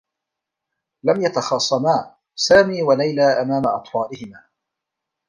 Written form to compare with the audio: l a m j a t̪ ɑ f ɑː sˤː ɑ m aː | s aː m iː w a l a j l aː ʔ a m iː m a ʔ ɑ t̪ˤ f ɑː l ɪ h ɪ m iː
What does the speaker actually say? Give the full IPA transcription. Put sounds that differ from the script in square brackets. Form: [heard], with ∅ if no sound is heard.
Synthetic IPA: l a m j a t̪ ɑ [x] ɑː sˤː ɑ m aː | s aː m iː w a l a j l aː ʔ a m [aː] m a ʔ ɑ t̪ˤ f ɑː l ɪ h ɪ m [aː]